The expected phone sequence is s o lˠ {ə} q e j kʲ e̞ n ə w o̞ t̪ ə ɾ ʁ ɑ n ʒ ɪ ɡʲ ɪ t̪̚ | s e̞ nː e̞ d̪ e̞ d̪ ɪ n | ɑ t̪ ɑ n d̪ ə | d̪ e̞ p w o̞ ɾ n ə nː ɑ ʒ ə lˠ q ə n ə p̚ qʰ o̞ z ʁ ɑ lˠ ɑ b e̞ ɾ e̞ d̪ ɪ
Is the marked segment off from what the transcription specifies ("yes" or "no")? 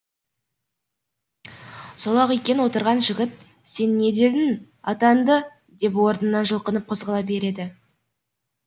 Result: yes